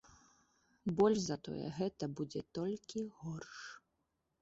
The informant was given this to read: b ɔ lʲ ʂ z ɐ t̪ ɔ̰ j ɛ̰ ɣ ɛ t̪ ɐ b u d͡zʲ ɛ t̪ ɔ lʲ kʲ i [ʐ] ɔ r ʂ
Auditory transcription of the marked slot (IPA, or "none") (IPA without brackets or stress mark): ɣ